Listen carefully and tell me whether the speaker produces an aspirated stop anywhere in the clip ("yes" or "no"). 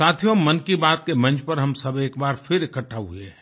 yes